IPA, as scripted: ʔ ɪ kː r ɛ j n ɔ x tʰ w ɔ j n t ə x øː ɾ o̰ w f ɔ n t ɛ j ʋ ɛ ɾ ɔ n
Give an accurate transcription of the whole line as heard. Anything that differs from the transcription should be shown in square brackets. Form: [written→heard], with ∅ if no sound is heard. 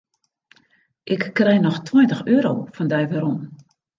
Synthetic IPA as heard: ʔ ɪ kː r ɛ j n ɔ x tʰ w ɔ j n t ə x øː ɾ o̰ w f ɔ n [t→d] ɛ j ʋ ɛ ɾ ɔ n